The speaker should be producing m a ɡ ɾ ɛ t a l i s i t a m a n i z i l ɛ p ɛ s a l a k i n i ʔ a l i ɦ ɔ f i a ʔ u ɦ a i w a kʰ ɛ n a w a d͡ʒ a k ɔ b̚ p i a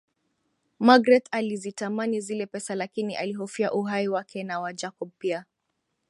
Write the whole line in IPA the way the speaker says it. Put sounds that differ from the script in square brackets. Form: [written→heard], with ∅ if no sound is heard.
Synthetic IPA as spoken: m a ɡ ɾ ɛ t a l i [s→z] i t a m a n i z i l ɛ p ɛ s a l a k i n i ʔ a l i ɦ ɔ f i a ʔ u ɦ a i w a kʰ ɛ n a w a d͡ʒ a k ɔ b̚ p i a